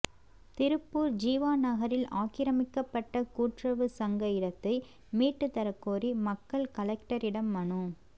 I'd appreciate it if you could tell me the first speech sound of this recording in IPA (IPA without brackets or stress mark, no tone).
t̪